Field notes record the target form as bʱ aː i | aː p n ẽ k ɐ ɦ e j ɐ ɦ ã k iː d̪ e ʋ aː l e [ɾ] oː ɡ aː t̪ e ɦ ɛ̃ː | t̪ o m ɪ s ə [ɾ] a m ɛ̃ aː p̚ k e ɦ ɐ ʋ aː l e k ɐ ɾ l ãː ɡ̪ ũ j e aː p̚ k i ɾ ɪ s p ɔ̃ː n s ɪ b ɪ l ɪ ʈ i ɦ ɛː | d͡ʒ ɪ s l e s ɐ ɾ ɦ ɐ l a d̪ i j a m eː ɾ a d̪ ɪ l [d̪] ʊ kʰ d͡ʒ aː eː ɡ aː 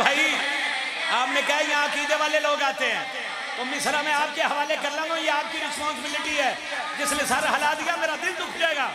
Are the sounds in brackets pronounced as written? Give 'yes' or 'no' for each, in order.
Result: no, yes, yes

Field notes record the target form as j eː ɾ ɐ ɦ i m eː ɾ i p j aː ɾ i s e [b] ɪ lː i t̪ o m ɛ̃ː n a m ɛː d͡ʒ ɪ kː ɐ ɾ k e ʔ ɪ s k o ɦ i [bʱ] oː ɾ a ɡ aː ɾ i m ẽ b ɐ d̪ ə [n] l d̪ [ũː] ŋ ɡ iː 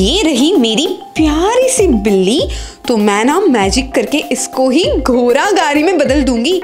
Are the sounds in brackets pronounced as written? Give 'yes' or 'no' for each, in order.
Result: yes, no, no, yes

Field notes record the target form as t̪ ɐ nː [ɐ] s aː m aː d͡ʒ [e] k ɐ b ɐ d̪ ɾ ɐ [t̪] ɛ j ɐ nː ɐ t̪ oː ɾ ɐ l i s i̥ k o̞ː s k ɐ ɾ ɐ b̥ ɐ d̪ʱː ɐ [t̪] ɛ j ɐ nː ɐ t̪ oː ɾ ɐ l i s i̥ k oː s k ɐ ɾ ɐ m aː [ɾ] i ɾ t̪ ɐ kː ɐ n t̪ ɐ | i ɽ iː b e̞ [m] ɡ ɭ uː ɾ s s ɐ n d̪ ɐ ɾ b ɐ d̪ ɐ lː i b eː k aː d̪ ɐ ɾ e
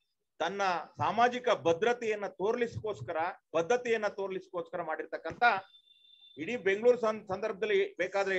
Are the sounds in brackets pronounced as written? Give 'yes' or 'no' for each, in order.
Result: yes, no, yes, yes, no, no

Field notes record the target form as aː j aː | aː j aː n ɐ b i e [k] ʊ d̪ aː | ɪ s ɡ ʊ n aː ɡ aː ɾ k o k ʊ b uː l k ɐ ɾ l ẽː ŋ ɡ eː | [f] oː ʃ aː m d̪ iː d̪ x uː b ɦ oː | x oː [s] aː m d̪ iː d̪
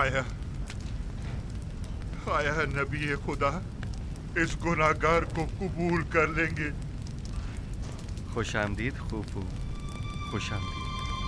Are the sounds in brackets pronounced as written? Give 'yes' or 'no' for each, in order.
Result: no, no, no

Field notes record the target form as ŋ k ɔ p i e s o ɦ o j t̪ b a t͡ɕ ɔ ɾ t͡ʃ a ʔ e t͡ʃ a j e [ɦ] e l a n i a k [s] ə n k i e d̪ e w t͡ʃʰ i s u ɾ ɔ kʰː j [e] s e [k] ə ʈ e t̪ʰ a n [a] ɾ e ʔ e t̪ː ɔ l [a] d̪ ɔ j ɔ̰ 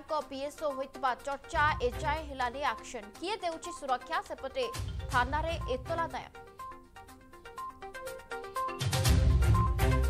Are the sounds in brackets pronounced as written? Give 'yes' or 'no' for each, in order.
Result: yes, no, no, no, yes, yes

